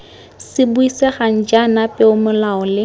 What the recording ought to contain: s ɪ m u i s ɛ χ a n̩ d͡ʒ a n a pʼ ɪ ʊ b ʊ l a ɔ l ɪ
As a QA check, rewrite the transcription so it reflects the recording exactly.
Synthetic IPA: s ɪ b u i s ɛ χ a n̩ d͡ʒ a n a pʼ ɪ ʊ m ʊ l a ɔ l ɪ

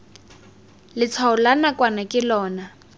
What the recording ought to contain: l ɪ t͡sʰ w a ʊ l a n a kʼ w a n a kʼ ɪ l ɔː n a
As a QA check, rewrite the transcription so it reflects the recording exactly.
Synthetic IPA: l ɪ t͡sʰ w a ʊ l a n a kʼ w a n a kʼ ɪ l ɔː n a

